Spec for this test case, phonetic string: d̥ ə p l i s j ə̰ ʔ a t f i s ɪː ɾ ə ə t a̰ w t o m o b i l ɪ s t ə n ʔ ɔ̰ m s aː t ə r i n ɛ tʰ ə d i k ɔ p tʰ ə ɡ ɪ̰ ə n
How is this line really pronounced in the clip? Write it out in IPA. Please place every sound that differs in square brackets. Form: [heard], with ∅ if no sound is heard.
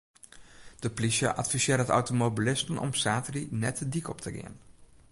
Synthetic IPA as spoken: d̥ ə p l i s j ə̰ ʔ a t f i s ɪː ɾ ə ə t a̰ w t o m o b i l ɪ s t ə n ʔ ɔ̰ m s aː t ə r i n ɛ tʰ ə d i k ɔ p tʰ ə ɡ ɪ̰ ə n